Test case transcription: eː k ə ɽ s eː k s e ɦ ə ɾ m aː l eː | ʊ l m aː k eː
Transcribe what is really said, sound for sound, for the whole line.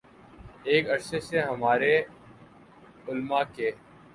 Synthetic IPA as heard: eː k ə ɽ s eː s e ɦ ə m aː ɾ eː | ʊ l m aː k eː